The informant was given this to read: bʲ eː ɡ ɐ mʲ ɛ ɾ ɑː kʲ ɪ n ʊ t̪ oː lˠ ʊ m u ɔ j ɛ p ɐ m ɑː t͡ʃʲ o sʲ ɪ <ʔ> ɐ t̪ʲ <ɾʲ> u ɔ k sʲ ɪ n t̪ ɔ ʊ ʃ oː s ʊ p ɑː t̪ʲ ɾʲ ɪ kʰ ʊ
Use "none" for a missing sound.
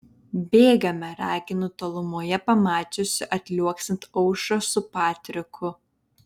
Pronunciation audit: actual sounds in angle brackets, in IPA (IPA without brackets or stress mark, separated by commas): ʔ, lʲ